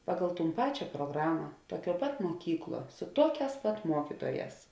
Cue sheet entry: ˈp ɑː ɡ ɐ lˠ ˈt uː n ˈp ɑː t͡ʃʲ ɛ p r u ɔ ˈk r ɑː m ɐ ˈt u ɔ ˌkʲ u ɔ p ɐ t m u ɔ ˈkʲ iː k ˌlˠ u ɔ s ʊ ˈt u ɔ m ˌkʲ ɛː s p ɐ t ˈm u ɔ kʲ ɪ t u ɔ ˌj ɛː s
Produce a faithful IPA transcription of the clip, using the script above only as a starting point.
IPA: ˈp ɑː ɡ ɐ lˠ ˈt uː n ˈp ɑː t͡ʃʲ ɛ p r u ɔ ˈɡ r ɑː m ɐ ˈt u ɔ ˌkʲ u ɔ p ɐ t m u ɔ ˈkʲ iː k ˌlˠ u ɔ s ʊ ˈt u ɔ ˌkʲ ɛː s p ɐ t ˈm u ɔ kʲ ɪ t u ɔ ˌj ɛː s